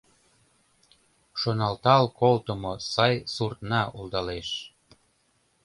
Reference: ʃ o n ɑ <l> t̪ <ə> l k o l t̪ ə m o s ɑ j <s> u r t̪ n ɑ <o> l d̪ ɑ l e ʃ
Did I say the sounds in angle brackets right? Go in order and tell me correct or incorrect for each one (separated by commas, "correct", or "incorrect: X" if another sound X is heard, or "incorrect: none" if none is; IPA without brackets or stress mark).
correct, incorrect: ɑ, correct, incorrect: u